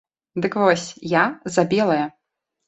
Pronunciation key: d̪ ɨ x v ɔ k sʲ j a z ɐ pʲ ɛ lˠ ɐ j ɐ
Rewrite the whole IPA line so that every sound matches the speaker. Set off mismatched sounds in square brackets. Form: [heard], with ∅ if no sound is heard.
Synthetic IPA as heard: d̪ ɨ [k] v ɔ [∅] sʲ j a z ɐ [bʲ] ɛ lˠ ɐ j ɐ